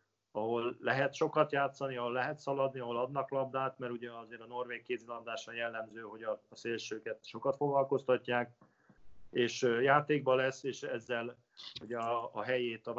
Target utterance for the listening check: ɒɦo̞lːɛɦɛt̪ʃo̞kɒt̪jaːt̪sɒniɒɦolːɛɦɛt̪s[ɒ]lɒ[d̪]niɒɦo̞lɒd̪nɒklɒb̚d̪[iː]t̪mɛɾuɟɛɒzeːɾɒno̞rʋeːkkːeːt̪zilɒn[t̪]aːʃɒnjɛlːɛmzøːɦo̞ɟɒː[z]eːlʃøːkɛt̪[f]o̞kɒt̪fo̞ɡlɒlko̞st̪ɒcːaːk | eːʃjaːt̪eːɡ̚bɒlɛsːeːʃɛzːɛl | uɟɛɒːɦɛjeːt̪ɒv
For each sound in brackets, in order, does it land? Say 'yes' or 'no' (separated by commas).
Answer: yes, yes, no, no, no, no